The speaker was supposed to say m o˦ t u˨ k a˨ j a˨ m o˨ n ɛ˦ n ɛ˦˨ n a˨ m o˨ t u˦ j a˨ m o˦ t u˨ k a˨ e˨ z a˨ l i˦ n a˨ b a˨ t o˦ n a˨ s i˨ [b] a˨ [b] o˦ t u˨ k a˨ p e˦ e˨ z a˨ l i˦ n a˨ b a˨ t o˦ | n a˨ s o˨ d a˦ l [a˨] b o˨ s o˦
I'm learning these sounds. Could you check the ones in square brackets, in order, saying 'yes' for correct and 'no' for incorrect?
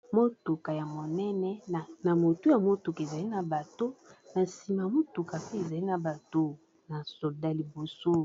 no, no, no

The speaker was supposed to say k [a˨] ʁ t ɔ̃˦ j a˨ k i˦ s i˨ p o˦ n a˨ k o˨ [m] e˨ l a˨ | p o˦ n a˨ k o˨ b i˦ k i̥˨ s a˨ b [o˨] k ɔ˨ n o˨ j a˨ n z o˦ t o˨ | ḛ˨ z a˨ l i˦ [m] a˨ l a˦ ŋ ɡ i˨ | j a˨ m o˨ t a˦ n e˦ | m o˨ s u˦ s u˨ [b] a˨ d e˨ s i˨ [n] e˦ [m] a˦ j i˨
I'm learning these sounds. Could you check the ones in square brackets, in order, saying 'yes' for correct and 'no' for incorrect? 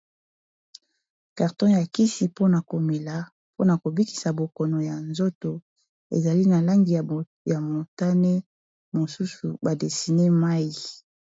yes, yes, yes, no, yes, yes, yes

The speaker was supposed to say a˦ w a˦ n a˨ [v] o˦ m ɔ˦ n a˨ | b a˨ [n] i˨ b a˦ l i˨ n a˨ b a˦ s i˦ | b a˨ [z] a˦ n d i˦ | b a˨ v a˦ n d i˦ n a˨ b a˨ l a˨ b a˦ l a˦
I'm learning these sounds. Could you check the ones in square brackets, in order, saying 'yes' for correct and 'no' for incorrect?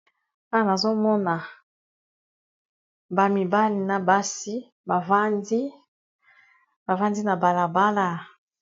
no, no, no

